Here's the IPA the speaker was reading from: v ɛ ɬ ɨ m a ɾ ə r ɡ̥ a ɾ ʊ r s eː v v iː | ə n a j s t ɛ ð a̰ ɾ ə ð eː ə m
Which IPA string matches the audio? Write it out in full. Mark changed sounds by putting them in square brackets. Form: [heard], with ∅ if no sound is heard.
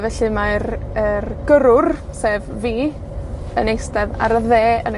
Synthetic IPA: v ɛ ɬ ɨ m a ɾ ə r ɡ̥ [ə] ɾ ʊ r s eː v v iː | ə n [e] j s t ɛ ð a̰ ɾ ə ð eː ə [n]